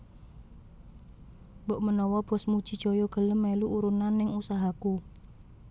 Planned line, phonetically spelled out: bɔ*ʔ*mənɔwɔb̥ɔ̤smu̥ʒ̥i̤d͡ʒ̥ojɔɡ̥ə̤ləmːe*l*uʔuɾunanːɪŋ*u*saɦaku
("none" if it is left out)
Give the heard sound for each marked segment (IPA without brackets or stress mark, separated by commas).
ʔ, l, u